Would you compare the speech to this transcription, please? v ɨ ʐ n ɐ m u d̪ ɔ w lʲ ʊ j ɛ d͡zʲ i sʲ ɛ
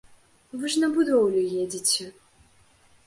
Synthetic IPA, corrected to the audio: v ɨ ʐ n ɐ b u d̪ ɔ w lʲ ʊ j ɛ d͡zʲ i t͡sʲ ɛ